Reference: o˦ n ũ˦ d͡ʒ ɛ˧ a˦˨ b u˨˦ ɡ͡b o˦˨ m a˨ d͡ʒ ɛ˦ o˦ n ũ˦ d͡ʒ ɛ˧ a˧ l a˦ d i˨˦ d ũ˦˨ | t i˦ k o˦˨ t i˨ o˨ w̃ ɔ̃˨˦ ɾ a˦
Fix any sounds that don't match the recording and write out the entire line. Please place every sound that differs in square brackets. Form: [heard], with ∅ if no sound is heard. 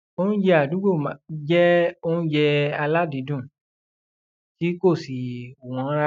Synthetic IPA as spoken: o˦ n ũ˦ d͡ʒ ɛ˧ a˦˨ [d] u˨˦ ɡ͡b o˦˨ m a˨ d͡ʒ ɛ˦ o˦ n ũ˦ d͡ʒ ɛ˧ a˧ l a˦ d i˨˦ d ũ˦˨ | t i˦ k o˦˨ [s] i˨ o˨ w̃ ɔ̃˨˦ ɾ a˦